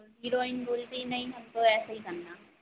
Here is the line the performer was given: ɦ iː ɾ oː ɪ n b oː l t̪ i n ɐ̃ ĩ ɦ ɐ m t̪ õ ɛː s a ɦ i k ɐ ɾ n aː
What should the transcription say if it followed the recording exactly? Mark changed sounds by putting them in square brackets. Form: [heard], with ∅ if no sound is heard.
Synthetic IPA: ɦ iː ɾ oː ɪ n b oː l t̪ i n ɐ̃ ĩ ɦ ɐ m t̪ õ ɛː s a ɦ i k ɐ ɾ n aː